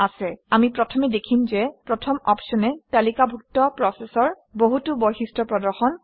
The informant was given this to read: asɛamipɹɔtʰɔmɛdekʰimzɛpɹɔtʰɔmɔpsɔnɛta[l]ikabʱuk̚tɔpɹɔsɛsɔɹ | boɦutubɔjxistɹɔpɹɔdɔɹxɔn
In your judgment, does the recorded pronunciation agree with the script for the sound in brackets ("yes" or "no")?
yes